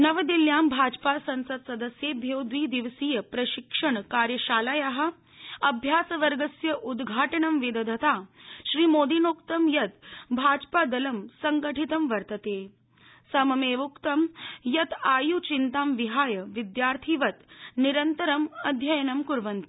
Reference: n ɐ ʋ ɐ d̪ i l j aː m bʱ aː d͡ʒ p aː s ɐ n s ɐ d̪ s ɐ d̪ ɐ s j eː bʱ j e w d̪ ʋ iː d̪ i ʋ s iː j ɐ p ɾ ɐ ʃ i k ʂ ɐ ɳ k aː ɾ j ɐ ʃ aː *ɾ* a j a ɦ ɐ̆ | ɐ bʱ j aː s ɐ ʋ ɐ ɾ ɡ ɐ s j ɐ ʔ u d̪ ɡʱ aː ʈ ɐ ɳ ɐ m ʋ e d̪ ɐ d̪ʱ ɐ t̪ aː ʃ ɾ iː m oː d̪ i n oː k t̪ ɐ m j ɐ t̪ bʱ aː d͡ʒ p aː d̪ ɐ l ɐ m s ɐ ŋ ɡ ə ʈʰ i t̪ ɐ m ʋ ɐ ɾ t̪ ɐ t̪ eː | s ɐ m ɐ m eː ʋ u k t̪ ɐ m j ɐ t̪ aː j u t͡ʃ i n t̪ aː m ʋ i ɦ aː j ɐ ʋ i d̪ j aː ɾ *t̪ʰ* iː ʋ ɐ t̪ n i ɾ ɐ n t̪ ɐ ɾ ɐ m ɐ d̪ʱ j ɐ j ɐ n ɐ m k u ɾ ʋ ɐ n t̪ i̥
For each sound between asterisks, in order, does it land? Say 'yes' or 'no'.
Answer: no, yes

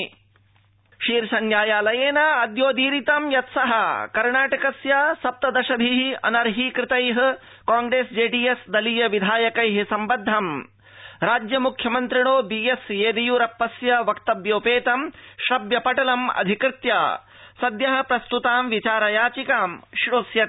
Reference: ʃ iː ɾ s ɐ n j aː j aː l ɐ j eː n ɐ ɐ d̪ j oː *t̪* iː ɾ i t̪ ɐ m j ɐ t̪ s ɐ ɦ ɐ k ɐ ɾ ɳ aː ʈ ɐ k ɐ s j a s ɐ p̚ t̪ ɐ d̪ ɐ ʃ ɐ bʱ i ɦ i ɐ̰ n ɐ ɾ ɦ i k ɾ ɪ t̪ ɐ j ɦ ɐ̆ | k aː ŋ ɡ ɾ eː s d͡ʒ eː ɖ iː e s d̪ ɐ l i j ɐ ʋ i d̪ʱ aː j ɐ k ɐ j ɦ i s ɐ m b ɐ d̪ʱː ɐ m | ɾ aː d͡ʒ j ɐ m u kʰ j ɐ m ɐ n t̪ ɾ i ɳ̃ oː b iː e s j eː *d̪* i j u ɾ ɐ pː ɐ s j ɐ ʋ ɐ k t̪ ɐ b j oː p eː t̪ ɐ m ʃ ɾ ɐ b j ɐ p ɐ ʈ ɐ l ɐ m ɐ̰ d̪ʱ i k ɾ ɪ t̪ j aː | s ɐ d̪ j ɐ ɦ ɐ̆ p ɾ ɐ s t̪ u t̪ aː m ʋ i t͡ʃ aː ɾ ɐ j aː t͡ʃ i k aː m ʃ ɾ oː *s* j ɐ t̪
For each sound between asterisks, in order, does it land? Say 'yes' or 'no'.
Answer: no, yes, yes

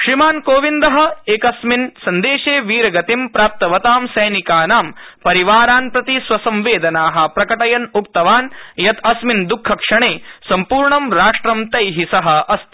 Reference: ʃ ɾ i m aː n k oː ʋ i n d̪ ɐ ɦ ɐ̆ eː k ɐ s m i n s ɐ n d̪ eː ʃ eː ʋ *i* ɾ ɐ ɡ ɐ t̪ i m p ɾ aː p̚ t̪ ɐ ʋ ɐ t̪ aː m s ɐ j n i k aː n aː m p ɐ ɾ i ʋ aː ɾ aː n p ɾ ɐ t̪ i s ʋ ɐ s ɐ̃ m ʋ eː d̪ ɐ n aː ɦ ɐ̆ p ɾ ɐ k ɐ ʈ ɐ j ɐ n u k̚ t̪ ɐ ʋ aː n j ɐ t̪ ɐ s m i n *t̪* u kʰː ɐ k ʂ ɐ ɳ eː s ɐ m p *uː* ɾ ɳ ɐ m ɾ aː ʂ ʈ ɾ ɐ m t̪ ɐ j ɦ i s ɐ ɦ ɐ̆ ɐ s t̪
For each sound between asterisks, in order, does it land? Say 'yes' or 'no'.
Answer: no, no, yes

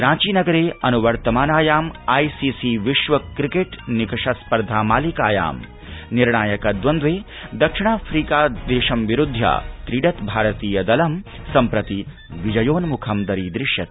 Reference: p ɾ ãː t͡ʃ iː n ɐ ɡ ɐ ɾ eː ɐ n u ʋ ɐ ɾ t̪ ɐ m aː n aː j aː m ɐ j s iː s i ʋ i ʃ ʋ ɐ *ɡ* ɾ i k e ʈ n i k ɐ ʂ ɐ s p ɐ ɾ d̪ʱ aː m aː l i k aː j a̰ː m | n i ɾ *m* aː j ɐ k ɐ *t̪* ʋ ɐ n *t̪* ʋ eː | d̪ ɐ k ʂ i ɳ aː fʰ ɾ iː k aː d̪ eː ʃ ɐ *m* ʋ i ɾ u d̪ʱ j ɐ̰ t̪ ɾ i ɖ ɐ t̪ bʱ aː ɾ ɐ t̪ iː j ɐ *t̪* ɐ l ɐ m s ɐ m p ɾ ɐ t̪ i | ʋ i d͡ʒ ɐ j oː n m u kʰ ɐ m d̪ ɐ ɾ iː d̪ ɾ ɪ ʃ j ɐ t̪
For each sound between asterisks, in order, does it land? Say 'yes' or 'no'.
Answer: no, no, no, no, yes, no

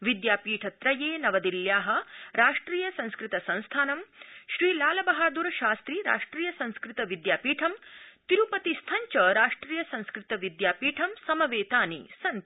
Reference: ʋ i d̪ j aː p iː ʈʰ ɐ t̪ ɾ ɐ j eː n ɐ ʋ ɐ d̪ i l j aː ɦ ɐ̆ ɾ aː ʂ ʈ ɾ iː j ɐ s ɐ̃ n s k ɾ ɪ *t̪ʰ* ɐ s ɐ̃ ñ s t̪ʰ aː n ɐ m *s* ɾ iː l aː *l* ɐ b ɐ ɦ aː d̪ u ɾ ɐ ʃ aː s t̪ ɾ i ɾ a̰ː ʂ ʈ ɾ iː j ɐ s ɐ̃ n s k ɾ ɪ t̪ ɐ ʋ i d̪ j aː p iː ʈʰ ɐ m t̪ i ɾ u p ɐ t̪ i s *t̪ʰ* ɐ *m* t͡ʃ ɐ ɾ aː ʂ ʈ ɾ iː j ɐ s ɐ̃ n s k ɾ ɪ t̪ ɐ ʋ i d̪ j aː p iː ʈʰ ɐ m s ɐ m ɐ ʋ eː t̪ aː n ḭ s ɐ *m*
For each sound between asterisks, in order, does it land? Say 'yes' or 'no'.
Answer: no, no, yes, yes, no, no

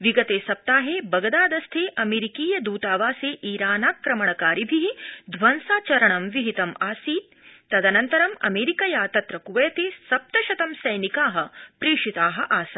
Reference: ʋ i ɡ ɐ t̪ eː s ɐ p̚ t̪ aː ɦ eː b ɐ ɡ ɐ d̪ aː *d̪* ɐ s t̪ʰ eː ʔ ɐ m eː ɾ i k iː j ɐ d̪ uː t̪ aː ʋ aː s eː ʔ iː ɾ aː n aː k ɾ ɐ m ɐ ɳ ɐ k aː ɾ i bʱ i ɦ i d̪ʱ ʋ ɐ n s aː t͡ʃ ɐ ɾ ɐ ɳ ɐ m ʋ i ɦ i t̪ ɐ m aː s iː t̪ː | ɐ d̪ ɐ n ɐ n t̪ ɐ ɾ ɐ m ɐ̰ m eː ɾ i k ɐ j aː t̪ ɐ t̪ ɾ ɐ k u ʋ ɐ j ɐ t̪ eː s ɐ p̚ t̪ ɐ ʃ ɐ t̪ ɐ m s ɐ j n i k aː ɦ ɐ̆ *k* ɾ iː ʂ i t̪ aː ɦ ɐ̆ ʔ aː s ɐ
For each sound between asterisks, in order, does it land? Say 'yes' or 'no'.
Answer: yes, no

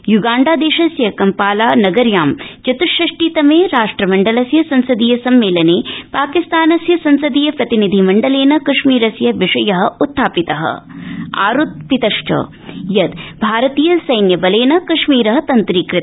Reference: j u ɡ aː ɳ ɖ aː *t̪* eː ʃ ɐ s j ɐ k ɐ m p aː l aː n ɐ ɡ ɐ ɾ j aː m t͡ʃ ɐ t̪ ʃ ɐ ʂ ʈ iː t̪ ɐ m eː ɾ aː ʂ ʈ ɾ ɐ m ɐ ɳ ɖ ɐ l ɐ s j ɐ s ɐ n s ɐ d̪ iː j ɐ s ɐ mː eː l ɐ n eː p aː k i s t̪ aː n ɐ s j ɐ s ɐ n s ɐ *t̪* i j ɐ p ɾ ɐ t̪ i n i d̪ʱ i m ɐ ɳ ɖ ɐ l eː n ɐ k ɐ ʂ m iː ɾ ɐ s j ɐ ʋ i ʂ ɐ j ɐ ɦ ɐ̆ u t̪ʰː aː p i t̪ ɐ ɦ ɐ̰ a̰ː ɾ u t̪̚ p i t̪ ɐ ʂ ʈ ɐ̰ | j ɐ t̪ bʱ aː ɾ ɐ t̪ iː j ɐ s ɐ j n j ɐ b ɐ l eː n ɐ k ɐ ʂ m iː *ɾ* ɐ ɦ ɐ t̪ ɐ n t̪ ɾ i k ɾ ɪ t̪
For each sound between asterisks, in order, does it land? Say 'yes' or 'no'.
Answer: no, no, yes

